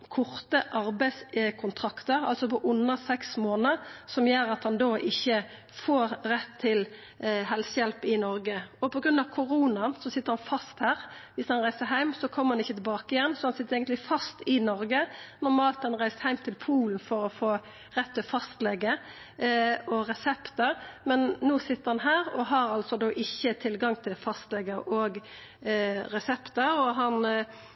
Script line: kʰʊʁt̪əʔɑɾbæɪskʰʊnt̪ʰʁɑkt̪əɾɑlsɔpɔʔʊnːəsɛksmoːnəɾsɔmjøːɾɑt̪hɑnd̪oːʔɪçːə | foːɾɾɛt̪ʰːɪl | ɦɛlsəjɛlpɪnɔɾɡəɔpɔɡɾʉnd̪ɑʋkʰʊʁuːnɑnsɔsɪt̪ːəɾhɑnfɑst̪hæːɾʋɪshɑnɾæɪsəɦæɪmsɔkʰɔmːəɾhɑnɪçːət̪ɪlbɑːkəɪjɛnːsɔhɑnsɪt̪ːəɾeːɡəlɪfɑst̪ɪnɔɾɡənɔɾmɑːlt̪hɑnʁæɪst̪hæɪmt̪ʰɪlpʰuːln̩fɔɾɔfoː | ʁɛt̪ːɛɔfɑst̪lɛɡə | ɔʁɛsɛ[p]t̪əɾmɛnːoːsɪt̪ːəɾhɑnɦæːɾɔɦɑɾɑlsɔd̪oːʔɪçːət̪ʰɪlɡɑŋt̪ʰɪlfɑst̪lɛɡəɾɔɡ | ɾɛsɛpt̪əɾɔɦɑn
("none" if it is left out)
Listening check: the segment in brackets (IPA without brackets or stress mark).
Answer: p